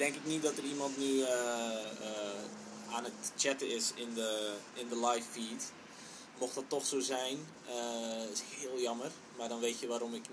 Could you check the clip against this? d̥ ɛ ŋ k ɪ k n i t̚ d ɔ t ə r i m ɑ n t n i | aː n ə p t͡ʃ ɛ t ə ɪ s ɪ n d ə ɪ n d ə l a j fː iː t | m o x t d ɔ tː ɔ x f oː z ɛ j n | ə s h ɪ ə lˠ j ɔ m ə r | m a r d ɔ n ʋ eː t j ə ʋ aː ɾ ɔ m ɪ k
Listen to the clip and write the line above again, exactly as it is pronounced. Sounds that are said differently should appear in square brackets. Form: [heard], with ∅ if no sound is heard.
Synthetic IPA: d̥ ɛ ŋ k ɪ k n i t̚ d ɔ t ə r i m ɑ n t n [y] | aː n ə [t] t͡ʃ ɛ t ə ɪ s ɪ n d ə ɪ n d ə l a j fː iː t | m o x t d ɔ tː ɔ x [s] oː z ɛ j n | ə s h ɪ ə lˠ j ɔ m ə r | m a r d ɔ n ʋ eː t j ə ʋ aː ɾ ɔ m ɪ k